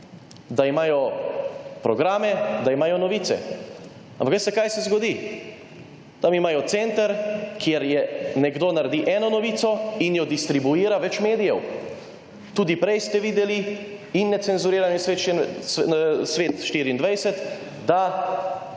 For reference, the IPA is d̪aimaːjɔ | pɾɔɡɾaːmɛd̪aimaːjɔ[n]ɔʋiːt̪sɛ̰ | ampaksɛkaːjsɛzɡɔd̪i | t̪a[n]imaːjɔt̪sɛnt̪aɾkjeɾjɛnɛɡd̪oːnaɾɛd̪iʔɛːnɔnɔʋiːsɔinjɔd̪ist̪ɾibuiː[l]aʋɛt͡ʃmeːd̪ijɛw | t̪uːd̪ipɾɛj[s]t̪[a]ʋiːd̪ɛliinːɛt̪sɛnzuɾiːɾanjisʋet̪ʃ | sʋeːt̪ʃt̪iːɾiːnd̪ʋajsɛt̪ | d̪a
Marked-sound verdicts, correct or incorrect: correct, incorrect, incorrect, correct, incorrect

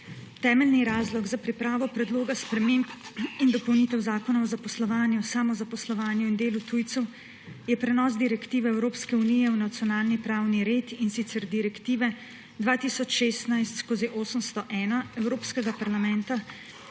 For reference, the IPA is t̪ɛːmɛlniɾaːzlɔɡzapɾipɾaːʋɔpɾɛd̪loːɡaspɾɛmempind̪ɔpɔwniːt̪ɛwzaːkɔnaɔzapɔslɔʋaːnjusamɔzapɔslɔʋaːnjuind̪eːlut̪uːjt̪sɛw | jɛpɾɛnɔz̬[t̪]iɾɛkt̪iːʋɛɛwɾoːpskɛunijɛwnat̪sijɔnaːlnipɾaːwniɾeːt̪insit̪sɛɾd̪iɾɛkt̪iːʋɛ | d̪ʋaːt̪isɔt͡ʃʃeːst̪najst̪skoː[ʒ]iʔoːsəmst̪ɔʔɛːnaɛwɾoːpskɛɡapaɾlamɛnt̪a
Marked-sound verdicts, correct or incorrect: incorrect, incorrect

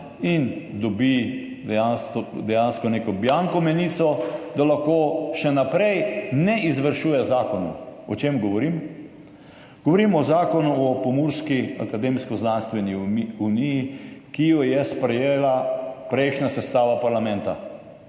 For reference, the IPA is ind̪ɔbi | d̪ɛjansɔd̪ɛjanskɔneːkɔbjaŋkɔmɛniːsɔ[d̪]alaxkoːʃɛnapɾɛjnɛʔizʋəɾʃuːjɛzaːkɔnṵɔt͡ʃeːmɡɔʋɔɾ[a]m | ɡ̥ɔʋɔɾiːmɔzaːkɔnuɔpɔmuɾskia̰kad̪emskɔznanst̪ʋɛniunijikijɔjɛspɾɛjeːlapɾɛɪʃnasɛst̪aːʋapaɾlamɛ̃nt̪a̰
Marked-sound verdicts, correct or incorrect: correct, incorrect

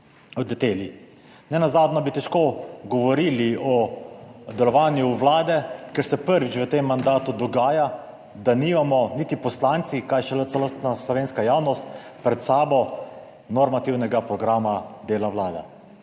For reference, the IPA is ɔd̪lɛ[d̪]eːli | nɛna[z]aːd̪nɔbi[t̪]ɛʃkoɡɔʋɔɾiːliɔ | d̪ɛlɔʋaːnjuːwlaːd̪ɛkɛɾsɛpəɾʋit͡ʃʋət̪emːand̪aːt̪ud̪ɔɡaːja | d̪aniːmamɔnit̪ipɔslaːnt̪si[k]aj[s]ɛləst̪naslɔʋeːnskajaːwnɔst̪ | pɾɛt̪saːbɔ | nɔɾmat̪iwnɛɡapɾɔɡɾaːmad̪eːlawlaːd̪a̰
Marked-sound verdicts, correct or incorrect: incorrect, correct, correct, correct, incorrect

